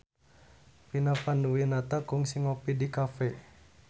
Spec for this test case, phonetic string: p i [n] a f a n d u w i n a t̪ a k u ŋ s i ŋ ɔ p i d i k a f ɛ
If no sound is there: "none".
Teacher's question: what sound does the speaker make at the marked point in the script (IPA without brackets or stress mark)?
n